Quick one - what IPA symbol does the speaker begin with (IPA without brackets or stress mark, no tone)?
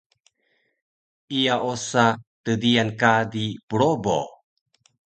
i